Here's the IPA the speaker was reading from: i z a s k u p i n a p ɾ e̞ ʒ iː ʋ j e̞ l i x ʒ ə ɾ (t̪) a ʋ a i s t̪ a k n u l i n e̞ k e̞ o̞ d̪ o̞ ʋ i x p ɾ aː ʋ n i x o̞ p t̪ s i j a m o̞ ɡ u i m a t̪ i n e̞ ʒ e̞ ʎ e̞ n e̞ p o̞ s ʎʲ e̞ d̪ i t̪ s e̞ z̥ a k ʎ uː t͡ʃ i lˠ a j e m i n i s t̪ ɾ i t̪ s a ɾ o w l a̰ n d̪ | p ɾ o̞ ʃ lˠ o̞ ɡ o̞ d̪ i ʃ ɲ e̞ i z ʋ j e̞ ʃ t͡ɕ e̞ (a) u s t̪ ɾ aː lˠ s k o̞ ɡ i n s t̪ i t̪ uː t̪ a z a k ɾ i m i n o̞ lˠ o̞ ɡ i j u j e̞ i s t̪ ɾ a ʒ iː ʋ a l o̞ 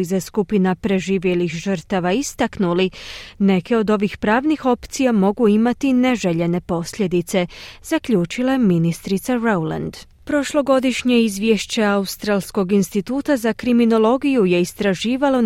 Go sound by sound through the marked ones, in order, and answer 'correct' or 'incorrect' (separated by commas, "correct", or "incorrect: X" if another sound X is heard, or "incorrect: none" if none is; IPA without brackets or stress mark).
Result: correct, correct